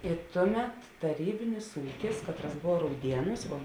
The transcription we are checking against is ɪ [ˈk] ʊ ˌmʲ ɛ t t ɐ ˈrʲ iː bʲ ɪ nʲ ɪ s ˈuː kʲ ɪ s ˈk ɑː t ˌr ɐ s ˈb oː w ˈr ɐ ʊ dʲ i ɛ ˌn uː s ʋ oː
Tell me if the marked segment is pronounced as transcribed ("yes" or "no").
no